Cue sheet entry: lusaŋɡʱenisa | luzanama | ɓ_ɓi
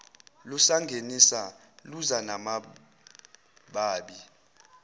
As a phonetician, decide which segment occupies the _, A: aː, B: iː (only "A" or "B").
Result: A